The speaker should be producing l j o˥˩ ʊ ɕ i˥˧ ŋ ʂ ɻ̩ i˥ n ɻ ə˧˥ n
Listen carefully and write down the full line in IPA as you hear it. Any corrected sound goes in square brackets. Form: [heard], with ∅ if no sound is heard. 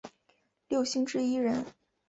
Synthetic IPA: l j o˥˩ ʊ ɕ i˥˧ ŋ [ʈ͡ʂ] ɻ̩ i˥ [∅] ɻ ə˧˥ n